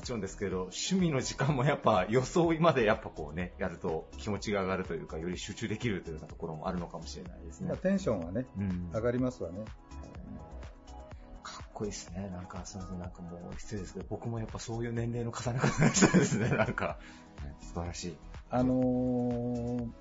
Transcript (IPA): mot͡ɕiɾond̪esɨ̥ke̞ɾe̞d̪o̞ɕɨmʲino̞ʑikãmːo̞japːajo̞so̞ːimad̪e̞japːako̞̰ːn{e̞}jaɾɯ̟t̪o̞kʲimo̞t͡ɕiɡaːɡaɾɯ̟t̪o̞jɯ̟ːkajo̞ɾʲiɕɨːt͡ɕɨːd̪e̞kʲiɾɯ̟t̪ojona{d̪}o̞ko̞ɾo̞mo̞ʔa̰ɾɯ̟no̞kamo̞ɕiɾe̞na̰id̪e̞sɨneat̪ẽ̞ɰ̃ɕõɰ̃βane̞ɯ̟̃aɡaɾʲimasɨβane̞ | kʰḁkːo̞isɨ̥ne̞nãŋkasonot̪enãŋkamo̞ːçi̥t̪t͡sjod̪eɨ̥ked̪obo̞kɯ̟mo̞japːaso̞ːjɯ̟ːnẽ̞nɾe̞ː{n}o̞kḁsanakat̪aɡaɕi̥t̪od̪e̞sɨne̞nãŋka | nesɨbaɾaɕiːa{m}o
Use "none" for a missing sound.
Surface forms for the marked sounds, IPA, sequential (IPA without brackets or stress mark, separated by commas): e̞, t̪, n, n